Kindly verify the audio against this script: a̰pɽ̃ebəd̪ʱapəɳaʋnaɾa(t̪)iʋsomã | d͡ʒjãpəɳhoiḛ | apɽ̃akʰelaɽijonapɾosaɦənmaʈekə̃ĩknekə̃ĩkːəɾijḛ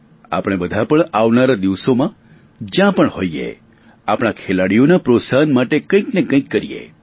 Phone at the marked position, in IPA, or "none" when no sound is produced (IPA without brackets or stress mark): d̪